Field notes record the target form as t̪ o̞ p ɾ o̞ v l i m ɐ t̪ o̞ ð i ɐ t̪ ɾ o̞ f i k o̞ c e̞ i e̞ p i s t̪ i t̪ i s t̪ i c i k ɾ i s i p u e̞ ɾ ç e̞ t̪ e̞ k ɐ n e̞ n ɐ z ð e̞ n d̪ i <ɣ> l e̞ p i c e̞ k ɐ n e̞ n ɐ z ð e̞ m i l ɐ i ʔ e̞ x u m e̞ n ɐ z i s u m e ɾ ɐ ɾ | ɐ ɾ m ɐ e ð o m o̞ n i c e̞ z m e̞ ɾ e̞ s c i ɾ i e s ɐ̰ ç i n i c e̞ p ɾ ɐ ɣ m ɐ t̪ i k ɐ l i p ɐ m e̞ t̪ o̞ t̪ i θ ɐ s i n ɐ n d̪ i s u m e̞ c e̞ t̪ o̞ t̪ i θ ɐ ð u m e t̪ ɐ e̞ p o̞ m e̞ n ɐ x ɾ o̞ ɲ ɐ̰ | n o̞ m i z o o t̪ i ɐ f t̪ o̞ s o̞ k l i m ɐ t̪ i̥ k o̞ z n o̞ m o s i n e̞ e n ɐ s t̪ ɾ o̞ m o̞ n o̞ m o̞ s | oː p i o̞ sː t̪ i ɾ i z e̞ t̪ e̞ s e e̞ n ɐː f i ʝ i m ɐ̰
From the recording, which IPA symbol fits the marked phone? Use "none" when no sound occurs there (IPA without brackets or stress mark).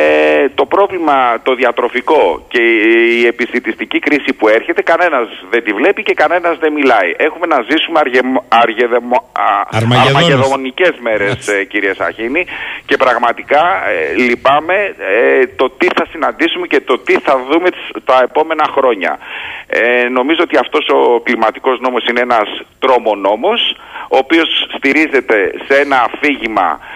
v